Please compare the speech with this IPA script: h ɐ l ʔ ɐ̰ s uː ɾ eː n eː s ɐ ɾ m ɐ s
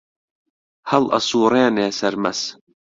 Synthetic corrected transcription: h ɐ l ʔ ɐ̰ s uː ɾ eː n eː s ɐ ɾ m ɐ s